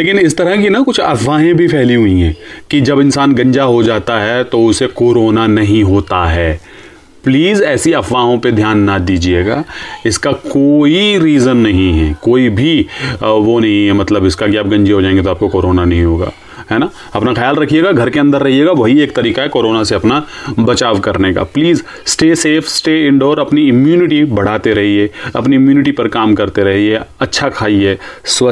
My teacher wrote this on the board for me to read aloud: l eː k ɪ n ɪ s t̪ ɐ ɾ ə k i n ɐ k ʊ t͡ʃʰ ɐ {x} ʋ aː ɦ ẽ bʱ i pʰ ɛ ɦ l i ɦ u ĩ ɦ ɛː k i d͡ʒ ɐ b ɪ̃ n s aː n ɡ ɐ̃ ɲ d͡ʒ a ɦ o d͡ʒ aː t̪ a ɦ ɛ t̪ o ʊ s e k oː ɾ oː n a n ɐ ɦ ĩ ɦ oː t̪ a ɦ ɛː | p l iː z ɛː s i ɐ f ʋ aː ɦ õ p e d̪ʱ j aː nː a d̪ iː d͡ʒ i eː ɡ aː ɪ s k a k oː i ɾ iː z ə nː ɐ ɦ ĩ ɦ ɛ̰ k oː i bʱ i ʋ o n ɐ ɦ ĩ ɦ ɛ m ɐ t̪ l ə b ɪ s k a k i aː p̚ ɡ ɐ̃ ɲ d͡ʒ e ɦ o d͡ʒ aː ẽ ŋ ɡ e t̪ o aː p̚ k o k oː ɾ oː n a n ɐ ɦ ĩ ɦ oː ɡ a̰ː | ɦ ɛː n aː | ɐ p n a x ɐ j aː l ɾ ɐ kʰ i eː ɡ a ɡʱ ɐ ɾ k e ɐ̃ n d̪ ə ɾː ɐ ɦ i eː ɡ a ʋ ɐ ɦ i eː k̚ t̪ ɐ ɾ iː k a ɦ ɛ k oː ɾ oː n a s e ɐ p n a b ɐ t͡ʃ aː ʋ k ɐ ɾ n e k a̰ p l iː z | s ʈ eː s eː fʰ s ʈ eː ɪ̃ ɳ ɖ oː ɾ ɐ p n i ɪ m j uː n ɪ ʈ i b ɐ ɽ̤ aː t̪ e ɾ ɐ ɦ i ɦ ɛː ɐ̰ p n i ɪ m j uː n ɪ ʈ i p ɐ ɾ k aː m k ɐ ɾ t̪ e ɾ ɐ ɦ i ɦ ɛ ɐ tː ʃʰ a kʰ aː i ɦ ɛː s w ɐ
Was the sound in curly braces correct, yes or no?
no